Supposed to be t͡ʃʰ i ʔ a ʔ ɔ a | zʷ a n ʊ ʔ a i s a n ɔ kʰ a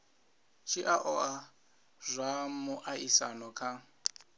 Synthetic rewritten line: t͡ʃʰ i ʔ a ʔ ɔ a | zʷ a m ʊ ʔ a i s a n ɔ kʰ a

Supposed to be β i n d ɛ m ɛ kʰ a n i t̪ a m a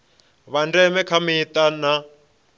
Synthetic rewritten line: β a n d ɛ m ɛ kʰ a m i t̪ a n a

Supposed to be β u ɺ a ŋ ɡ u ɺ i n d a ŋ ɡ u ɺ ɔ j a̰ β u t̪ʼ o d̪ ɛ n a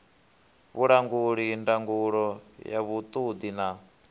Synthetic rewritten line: β u ɺ a ŋ ɡ u ɺ i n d a ŋ ɡ u ɺ ɔ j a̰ β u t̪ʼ u d̪ i n a

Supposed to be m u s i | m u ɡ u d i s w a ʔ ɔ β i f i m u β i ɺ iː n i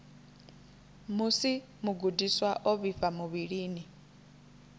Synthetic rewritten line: m u s i | m u ɡ u d i s w a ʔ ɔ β i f a m u β i ɺ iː n i

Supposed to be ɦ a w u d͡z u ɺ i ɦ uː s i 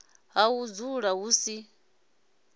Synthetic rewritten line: ɦ a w u d͡z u ɺ a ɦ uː s i

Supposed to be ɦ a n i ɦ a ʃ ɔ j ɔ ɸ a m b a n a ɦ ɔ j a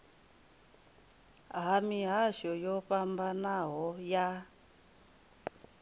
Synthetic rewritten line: ɦ a m i ɦ a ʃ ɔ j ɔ ɸ a m b a n a ɦ ɔ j a

